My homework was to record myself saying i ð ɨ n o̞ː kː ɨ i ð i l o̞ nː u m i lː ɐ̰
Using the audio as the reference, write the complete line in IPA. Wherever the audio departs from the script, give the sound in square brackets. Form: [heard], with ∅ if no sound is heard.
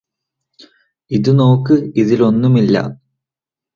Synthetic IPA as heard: i ð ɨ n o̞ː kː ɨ i ð i l o̞ nː u m i lː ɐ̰